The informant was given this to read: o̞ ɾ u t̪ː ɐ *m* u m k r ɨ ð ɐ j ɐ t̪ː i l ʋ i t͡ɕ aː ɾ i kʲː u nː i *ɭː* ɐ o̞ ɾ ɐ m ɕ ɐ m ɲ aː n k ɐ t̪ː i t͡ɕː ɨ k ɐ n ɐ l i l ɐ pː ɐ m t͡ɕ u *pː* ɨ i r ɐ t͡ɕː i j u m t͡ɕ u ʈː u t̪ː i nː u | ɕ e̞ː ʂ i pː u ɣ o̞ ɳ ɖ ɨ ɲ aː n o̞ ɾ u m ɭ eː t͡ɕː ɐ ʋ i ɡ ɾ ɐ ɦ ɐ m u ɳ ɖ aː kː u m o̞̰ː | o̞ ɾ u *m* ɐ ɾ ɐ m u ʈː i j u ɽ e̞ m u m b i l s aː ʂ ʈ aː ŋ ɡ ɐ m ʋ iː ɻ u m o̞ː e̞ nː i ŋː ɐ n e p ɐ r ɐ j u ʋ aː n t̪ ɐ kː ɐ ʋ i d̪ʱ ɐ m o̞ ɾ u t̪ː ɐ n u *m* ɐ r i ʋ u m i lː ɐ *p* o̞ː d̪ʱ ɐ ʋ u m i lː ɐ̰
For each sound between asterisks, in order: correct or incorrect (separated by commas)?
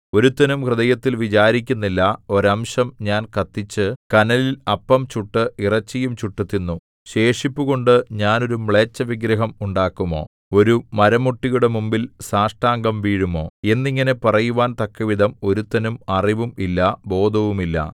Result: incorrect, incorrect, incorrect, correct, correct, incorrect